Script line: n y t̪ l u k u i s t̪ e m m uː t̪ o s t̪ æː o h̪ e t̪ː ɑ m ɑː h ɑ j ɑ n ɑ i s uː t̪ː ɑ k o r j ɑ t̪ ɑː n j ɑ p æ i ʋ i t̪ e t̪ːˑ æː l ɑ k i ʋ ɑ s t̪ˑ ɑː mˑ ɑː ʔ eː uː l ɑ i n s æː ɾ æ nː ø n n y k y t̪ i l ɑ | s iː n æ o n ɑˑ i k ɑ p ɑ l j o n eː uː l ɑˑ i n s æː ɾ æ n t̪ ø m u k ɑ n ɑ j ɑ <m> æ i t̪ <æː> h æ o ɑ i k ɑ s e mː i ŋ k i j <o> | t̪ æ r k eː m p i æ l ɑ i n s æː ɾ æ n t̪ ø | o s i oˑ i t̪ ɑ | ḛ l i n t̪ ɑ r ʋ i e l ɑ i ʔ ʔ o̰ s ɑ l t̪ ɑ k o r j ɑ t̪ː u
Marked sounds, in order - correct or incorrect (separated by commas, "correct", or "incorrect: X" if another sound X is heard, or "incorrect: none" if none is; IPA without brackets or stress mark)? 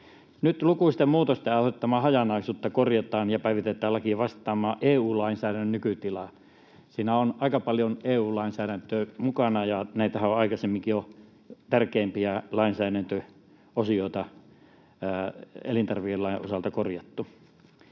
incorrect: n, incorrect: æ, correct